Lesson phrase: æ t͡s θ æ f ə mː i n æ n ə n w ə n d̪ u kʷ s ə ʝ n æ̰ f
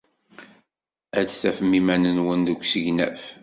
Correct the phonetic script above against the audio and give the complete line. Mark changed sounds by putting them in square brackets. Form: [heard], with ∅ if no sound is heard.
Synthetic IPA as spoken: æ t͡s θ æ f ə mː i [m] æ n ə n w ə n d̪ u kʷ s ə ʝ n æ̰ f